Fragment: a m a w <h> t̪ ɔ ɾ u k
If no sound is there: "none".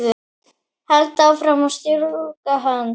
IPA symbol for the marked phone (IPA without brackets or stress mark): s